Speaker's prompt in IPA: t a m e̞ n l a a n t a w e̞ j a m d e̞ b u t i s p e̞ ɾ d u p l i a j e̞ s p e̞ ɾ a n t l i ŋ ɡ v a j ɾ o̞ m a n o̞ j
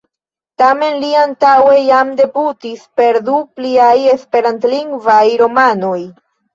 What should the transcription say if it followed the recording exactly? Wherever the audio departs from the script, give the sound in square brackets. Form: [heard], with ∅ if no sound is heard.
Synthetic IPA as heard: t a m e̞ n l [i] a n t a w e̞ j a m d e̞ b u t i s p e̞ ɾ d u p l i a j e̞ s p e̞ ɾ a n t l i ŋ ɡ v a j ɾ o̞ m a n o̞ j